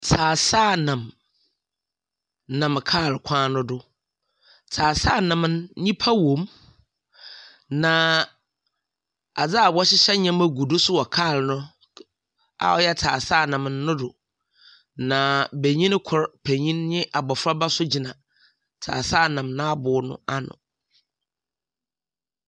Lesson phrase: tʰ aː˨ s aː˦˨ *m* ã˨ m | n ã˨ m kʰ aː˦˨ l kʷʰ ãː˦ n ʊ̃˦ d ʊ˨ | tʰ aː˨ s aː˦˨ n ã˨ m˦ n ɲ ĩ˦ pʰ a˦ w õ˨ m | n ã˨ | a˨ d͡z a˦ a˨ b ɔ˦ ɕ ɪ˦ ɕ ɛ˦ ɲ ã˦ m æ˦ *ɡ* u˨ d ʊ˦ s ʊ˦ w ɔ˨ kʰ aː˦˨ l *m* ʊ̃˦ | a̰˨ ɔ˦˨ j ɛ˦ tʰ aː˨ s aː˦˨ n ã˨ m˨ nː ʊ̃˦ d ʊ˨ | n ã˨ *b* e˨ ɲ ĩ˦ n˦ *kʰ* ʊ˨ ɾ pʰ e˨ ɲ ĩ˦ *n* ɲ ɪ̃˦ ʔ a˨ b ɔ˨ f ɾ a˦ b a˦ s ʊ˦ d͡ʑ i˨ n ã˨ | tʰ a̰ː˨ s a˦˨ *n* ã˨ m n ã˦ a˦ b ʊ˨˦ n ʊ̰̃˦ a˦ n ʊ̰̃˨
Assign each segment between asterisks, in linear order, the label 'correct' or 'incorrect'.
incorrect: n, correct, incorrect: n, correct, correct, correct, correct

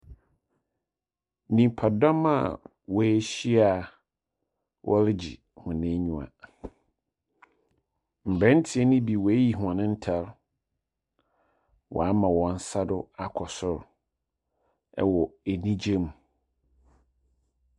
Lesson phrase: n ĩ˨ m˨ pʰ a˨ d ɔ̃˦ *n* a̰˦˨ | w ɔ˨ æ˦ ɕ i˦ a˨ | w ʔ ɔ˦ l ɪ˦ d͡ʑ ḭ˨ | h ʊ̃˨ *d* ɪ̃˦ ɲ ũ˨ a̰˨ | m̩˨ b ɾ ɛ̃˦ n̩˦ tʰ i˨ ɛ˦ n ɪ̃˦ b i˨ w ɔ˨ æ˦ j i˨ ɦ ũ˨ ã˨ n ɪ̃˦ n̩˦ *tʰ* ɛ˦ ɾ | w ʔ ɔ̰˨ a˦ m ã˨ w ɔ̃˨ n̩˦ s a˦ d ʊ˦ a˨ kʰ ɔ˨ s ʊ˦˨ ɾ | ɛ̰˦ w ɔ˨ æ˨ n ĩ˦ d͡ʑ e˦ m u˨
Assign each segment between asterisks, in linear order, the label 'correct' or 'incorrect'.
incorrect: m, incorrect: n, correct

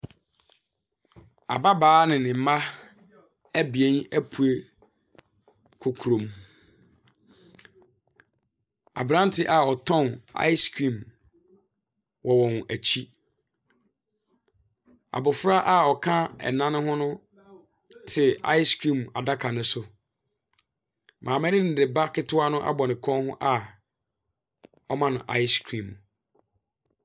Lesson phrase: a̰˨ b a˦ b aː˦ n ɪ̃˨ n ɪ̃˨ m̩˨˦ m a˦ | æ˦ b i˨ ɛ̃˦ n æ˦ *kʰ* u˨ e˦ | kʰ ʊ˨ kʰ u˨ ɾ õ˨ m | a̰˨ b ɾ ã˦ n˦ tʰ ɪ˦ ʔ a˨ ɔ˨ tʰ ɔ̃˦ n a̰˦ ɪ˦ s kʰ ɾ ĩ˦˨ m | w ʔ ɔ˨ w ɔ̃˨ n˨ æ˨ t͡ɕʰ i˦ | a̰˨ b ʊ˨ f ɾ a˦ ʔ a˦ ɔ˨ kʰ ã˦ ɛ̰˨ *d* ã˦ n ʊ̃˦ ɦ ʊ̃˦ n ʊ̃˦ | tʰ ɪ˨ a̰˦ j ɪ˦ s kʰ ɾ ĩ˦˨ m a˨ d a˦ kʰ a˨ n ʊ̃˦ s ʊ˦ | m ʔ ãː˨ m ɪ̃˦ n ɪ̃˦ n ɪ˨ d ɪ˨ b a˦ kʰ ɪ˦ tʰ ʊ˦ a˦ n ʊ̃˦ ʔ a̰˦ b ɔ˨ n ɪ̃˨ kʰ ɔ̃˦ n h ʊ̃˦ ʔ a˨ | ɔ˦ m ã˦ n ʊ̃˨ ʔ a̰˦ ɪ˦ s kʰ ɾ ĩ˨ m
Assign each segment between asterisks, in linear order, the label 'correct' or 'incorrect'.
incorrect: pʰ, incorrect: n

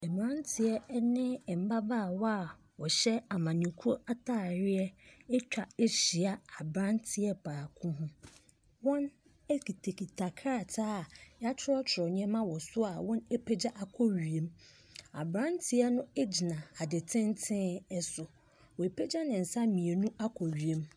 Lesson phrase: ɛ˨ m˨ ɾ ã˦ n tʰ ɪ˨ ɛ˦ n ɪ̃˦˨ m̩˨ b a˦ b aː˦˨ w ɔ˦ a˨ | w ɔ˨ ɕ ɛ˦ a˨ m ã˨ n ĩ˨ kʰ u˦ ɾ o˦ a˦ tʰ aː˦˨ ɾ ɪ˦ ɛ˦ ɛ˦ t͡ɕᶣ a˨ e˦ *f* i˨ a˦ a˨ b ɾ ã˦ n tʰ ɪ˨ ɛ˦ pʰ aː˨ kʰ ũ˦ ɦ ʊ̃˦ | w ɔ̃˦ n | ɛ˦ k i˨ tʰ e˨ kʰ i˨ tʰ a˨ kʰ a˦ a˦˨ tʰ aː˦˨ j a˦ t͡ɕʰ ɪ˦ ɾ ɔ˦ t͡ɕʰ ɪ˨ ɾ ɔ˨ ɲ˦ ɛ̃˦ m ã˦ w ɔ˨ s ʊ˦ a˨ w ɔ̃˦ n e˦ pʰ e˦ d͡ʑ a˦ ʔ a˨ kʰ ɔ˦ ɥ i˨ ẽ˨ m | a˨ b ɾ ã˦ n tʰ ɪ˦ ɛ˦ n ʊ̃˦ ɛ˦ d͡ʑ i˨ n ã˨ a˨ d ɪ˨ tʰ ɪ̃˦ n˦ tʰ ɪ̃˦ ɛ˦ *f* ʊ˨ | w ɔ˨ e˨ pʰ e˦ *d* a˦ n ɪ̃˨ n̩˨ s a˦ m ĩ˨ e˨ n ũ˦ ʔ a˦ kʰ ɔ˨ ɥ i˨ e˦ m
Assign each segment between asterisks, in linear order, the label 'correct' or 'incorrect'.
incorrect: ɕ, incorrect: s, incorrect: d͡ʑ

